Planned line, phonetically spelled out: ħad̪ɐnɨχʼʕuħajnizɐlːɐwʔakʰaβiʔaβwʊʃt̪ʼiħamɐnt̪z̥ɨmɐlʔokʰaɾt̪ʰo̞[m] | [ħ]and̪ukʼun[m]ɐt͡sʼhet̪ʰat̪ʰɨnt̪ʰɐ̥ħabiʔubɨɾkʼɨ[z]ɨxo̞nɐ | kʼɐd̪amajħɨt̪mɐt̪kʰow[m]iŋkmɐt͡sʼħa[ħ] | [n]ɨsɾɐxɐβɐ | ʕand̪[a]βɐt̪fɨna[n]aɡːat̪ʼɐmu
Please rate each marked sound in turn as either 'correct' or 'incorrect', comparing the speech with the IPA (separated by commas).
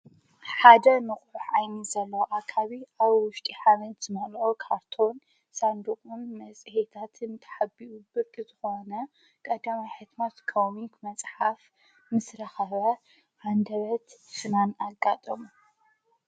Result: incorrect, incorrect, correct, correct, correct, incorrect, incorrect, incorrect, correct